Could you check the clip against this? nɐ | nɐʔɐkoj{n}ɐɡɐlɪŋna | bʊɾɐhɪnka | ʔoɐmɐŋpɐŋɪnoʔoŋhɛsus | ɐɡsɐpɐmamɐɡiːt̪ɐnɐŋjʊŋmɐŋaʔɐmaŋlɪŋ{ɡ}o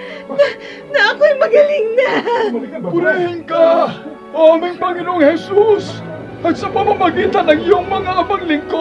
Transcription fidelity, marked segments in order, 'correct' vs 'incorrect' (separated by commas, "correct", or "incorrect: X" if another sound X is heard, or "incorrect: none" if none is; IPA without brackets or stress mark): incorrect: m, incorrect: k